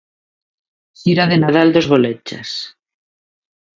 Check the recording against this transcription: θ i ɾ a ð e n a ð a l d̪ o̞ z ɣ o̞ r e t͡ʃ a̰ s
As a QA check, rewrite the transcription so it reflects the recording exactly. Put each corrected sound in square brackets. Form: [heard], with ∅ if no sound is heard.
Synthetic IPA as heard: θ i ɾ a ð e n a ð a l d̪ o̞ z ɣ o̞ [l] e t͡ʃ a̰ s